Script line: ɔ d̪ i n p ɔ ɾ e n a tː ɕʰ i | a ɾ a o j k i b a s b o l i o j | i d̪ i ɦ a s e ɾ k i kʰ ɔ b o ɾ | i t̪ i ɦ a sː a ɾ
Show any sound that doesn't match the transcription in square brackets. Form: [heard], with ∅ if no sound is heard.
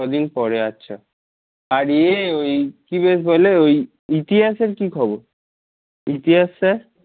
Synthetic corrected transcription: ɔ d̪ i n p ɔ ɾ e [∅] a tː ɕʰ [a] | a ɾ [e] o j k i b [e] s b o l [e] o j | i [t̪] i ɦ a s e ɾ k i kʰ ɔ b o ɾ | i t̪ i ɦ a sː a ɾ